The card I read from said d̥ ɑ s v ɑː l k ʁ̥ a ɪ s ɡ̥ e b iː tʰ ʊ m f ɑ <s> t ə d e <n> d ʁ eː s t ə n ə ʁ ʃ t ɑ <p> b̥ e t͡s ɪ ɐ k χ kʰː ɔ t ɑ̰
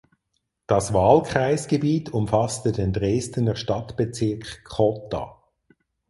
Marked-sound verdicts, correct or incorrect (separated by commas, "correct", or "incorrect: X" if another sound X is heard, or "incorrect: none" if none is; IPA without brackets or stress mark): correct, correct, incorrect: t